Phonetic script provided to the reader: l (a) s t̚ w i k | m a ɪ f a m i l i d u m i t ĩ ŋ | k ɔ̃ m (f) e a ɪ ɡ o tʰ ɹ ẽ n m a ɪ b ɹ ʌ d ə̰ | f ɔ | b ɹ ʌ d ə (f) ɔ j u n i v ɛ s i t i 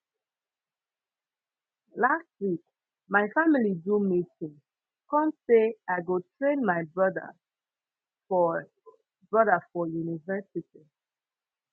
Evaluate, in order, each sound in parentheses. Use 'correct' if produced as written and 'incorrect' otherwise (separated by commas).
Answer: correct, incorrect, correct